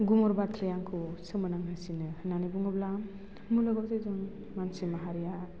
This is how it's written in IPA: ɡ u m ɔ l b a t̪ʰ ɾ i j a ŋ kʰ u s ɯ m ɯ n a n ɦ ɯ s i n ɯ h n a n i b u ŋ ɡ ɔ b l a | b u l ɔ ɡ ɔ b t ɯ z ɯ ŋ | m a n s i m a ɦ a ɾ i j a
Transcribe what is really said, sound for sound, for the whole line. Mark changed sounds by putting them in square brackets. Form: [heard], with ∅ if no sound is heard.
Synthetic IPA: ɡ u m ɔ [ɾ] b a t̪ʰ ɾ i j a ŋ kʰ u s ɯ m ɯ n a [ŋ] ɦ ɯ s i n ɯ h n a n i b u ŋ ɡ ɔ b l a | [m] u l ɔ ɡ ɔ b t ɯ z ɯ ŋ | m a n s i m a ɦ a ɾ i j a